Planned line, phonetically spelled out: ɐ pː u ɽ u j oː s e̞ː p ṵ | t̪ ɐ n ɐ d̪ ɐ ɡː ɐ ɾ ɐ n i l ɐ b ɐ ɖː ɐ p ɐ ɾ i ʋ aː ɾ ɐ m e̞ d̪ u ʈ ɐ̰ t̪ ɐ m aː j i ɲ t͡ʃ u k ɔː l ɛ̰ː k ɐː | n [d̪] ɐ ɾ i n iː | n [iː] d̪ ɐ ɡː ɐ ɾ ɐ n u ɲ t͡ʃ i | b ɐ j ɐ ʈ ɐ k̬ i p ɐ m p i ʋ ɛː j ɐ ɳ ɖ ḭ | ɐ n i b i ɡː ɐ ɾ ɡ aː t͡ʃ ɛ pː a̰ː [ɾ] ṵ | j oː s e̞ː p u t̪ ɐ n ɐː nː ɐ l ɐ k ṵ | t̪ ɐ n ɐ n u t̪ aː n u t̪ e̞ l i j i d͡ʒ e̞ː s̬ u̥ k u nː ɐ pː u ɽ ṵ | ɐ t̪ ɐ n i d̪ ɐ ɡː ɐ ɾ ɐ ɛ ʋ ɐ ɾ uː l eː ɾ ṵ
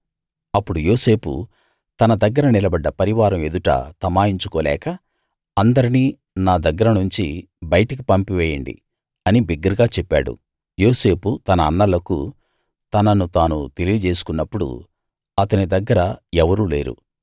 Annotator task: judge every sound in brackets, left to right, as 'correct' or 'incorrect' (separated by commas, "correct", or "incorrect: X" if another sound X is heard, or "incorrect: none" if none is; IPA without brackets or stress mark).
correct, incorrect: aː, incorrect: ɽ